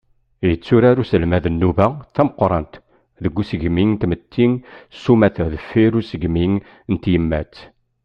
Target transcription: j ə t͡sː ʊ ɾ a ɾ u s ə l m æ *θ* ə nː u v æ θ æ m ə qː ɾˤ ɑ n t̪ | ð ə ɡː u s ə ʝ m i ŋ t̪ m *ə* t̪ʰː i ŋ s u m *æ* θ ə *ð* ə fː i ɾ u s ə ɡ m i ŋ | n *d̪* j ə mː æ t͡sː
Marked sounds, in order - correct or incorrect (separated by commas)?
incorrect, correct, correct, correct, incorrect